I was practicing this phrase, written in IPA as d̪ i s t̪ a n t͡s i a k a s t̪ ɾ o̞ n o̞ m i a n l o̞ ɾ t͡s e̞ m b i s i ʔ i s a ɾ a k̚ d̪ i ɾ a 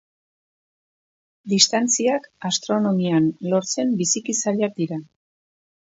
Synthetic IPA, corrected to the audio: d̪ i s t̪ a n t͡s i a k a s t̪ ɾ o̞ n o̞ m i a n l o̞ ɾ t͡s e̞ m b i s i k i s a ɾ a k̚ d̪ i ɾ a